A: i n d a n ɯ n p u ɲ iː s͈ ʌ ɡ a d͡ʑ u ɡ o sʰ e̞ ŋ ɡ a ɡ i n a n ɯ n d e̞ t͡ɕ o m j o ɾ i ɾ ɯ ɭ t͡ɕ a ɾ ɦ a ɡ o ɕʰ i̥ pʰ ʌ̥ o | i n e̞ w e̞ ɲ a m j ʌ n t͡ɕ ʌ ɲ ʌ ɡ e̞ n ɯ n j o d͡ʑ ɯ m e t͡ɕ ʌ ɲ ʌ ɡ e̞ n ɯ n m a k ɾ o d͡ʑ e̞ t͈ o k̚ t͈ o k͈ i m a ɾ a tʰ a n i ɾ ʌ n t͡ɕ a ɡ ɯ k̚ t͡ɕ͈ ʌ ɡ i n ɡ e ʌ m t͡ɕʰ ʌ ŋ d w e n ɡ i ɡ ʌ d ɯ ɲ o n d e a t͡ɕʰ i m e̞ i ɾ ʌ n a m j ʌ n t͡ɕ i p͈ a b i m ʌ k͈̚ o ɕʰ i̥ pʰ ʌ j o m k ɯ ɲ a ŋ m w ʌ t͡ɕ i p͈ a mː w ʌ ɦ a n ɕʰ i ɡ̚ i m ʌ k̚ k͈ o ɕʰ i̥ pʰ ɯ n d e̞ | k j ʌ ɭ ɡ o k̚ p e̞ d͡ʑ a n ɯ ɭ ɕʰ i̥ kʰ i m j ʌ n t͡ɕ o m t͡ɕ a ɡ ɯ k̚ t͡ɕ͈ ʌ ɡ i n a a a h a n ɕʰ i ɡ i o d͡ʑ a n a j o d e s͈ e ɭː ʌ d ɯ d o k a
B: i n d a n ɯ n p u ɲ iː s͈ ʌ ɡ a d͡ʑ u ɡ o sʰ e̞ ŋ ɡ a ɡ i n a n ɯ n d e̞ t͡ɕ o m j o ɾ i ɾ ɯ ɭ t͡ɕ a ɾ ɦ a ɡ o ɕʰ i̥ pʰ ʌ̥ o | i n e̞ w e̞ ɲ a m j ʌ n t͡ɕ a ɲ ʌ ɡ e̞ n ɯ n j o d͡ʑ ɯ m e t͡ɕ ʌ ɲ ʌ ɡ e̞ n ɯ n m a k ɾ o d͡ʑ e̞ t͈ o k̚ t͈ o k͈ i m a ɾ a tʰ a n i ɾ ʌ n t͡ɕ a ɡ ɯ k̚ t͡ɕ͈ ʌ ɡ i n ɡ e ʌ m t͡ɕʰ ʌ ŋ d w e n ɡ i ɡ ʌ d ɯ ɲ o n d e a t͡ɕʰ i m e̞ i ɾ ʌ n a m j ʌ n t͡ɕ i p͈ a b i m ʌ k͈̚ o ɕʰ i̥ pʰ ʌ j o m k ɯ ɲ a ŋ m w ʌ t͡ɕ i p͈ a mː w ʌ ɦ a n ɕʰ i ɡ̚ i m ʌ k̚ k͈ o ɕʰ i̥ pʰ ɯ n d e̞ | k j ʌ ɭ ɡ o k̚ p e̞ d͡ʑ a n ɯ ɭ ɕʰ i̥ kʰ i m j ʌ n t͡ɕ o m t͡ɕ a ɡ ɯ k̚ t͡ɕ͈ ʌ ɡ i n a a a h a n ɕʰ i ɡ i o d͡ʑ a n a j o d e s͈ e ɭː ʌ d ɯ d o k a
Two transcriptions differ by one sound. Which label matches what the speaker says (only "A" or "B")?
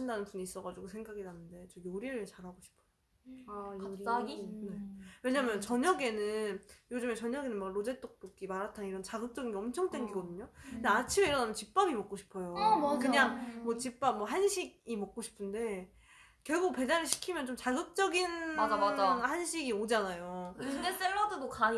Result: A